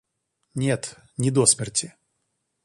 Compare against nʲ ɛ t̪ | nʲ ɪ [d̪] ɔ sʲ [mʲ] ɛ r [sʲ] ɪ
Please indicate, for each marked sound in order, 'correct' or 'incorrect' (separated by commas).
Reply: correct, correct, incorrect